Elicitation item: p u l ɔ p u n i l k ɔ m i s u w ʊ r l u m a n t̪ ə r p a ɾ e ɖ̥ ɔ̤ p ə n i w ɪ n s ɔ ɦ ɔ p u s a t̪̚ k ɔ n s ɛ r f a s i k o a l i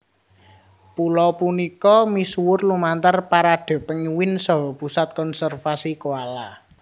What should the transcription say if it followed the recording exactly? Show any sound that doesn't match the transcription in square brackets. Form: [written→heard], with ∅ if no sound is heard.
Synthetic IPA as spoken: p u l ɔ p u n i [l→∅] k ɔ m i s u w ʊ r l u m a n t̪ ə r p a ɾ [e→a] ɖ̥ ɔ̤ p ə [n→ŋ] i w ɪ n s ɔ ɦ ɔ p u s a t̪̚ k ɔ n s ɛ r f a s i k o a l [i→a]

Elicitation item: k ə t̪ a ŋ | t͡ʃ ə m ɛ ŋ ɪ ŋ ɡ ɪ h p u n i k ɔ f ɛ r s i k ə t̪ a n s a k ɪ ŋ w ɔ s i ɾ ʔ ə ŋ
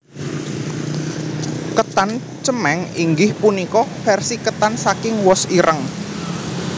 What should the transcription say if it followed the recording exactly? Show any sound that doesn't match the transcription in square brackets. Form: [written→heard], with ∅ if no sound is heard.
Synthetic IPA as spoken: k ə t̪ a [ŋ→n] | t͡ʃ ə m ɛ ŋ [ɪ→i] ŋ ɡ ɪ h p u n i k ɔ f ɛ r s i k ə t̪ a n s a k ɪ ŋ w ɔ s i ɾ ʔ ə ŋ

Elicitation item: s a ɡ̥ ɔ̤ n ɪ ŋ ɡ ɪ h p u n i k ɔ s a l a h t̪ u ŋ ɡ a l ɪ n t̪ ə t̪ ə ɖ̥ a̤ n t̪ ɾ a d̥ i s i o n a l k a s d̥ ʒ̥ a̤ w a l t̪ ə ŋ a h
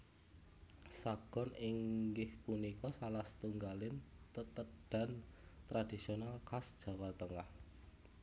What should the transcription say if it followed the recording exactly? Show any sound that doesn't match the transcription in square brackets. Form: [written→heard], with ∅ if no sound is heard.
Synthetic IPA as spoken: s a ɡ̥ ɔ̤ n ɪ ŋ ɡ ɪ h p u n i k ɔ s a l a h t̪ u ŋ ɡ a l ɪ n t̪ ə t̪ ə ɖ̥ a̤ n t̪ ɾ a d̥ i s i o n a l k a s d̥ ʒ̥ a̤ w a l t̪ ə ŋ a h

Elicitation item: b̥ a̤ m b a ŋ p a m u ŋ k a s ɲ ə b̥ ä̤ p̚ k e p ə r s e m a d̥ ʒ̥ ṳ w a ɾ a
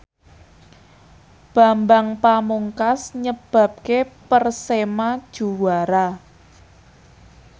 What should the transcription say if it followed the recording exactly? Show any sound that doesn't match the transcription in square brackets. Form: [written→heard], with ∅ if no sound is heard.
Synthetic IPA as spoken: b̥ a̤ m b a ŋ p a m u ŋ k a s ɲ ə b̥ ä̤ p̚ k e p ə r s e m a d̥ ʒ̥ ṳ w a ɾ a

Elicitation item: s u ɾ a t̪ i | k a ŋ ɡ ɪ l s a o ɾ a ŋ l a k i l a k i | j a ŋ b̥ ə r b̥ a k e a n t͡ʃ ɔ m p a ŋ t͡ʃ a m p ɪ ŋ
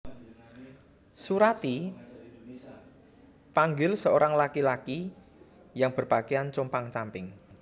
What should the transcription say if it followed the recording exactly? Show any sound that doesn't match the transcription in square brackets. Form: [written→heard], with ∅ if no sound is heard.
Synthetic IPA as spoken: s u ɾ a t̪ i | [k→p] a ŋ ɡ ɪ l s [a→ə] o ɾ a ŋ l a k i l a k i | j a ŋ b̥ ə r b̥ a k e a n t͡ʃ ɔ m p a ŋ t͡ʃ a m p ɪ ŋ

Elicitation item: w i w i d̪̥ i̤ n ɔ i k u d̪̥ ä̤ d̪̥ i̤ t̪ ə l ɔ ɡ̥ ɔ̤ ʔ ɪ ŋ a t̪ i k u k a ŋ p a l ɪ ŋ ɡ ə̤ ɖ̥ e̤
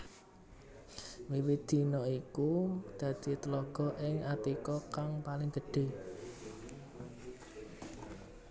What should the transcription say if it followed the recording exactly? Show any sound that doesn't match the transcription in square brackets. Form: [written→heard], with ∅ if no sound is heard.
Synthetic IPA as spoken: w i w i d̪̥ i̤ n ɔ i k u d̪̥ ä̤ d̪̥ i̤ t̪ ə l ɔ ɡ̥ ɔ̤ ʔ ɪ ŋ a t̪ i k [u→ɔ] k a ŋ p a l ɪ ŋ ɡ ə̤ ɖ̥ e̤

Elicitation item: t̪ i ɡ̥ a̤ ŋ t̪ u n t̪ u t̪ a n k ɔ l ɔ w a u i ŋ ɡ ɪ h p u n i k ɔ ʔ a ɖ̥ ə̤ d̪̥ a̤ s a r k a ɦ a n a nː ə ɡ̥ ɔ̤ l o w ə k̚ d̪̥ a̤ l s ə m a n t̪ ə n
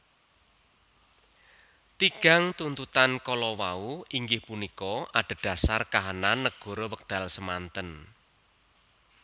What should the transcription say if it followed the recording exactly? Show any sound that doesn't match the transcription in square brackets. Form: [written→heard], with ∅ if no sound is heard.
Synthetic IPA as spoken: t̪ i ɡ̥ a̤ ŋ t̪ u n t̪ u t̪ a n k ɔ l ɔ w a u i ŋ ɡ ɪ h p u n i k ɔ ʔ a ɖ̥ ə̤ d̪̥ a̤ s a r k a ɦ a n a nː ə ɡ̥ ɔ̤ [l→ɾ] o w ə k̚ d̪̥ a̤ l s ə m a n t̪ ə n

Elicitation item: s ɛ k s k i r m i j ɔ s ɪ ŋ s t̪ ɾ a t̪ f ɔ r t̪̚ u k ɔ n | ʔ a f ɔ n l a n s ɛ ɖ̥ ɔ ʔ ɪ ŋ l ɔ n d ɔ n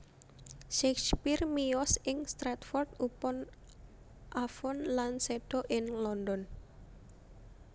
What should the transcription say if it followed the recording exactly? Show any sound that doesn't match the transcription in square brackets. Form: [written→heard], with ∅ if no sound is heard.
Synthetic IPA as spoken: [s→ʃ] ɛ k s [k→p] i r m i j ɔ s ɪ ŋ s t̪ ɾ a t̪ f ɔ r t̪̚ u [k→p] ɔ n | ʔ a f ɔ n l a n s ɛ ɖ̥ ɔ ʔ ɪ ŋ l ɔ n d ɔ n

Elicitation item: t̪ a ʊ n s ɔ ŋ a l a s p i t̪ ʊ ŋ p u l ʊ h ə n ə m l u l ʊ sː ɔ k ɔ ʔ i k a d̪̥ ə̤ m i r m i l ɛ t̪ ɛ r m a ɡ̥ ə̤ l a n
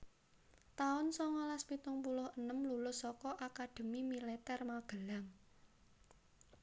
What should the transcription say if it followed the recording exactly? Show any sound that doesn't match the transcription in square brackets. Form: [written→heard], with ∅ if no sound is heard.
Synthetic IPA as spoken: t̪ a ʊ n s ɔ ŋ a l a s p i t̪ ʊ ŋ p u l ʊ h ə n ə m l u l ʊ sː ɔ k ɔ ʔ [i→a] k a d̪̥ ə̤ m i [r→∅] m i l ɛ t̪ ɛ r m a ɡ̥ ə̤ l a [n→ŋ]

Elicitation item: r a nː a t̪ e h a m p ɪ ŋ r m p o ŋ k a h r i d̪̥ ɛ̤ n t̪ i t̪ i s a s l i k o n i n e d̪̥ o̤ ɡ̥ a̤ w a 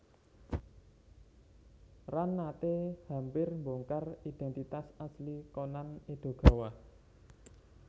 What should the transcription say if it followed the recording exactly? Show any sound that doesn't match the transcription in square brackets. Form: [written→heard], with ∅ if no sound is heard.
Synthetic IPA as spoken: r a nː a t̪ e h a m p ɪ [ŋ→∅] r m [p→b] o ŋ k a [h→∅] r i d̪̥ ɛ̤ n t̪ i t̪ [i→a] s a s l i k o n [i→a] n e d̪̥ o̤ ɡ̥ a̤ w a

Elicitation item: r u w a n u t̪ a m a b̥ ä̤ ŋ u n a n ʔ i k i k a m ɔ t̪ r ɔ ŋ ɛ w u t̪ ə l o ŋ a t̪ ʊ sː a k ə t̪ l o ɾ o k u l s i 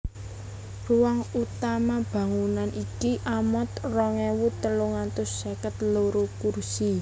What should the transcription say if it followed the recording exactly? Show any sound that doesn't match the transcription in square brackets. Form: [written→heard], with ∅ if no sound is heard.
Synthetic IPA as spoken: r u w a [n→ŋ] u t̪ a m a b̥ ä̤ ŋ u n a n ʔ i k i [k→ʔ] a m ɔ t̪ r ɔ ŋ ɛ w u t̪ ə l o ŋ a t̪ ʊ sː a k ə t̪ l o ɾ o k u [l→r] s i

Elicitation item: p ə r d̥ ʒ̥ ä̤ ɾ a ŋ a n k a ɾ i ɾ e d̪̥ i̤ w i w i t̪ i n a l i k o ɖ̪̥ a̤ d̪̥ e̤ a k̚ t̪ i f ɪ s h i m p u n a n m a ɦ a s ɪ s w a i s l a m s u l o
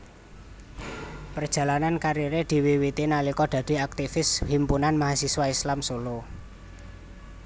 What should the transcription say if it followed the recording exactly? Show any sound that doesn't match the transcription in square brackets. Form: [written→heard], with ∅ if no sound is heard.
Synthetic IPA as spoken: p ə r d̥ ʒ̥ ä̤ [ɾ→l] a [ŋ→n] a n k a ɾ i ɾ e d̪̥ i̤ w i w i t̪ i n a l i k [o→ɔ] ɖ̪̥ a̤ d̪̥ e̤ a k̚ t̪ i f ɪ s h i m p u n a n m a ɦ a s [ɪ→i] s w a i s l a m s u l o

